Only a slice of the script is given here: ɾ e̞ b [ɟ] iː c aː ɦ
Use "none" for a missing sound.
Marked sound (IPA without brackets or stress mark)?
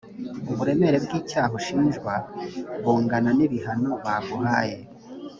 ɡ